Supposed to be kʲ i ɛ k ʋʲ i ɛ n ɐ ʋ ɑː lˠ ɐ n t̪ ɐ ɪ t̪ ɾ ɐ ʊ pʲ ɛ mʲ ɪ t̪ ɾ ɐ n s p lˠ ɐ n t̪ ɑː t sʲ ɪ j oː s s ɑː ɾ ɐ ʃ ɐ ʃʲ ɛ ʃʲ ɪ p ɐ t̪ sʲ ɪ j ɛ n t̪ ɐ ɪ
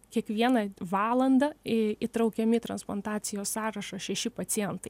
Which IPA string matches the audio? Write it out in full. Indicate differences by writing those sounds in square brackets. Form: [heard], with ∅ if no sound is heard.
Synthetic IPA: kʲ i ɛ k ʋʲ i ɛ n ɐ ʋ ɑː lˠ ɐ n [d̪] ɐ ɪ t̪ ɾ ɐ ʊ [kʲ] ɛ mʲ ɪ t̪ ɾ ɐ n s p lˠ ɐ n t̪ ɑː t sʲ ɪ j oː s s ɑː ɾ ɐ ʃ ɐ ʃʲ ɛ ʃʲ ɪ p ɐ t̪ sʲ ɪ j ɛ n t̪ ɐ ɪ